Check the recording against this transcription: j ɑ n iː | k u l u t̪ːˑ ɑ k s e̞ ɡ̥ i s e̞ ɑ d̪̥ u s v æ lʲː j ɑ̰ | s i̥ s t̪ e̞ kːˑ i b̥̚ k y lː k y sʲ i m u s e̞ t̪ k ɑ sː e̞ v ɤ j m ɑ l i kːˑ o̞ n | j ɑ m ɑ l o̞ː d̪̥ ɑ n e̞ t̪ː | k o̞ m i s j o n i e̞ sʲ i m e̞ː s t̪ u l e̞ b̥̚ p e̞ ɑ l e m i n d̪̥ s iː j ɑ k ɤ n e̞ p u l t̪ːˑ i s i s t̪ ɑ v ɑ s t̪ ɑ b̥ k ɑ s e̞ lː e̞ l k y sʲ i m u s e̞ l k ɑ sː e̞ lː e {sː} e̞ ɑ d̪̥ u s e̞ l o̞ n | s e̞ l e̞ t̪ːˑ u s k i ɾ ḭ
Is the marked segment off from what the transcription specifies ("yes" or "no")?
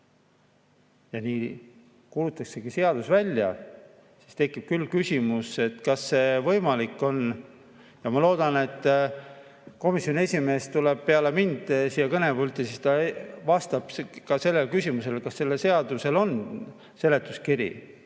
yes